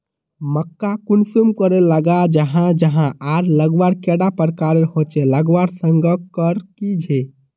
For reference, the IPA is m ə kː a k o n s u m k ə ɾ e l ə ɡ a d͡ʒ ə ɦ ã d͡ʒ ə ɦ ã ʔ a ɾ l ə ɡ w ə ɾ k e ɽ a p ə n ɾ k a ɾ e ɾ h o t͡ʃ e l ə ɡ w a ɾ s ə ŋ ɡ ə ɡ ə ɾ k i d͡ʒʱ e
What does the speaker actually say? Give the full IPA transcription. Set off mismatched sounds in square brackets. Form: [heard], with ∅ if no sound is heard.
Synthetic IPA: m ə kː a k [u] n s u m k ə ɾ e l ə ɡ a d͡ʒ ə ɦ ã d͡ʒ ə ɦ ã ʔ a ɾ l ə ɡ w [a] ɾ k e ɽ a p ə [∅] ɾ k a ɾ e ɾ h o t͡ʃ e l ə ɡ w a ɾ s ə ŋ ɡ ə [k] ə ɾ k i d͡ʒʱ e